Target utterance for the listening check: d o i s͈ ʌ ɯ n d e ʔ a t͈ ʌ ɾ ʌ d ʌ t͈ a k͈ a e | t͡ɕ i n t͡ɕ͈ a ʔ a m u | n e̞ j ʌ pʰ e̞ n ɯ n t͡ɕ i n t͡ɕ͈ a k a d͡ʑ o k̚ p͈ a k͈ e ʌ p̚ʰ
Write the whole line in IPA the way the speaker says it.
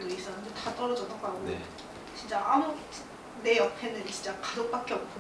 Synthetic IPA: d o i s͈ ʌ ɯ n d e t a t͈ ʌ ɾ ʌ d͡ʑ ʌ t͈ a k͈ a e | t͡ɕ i n t͡ɕ͈ a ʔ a m u | n e̞ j ʌ pʰ e̞ n ɯ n t͡ɕ i n t͡ɕ͈ a k a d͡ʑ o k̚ p͈ a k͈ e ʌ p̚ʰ